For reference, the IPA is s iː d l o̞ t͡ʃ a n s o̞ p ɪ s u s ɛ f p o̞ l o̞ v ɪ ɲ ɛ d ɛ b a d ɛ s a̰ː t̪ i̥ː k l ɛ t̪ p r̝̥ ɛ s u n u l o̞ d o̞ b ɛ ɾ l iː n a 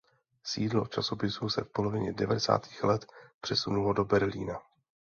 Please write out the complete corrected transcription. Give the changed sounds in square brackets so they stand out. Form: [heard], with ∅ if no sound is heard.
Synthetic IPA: s iː d l o̞ t͡ʃ a [∅] s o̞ p ɪ s u s ɛ f p o̞ l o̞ v ɪ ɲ ɛ d ɛ [v] a d ɛ s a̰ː t̪ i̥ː [x] l ɛ t̪ p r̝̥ ɛ s u n u l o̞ d o̞ b ɛ ɾ l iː n a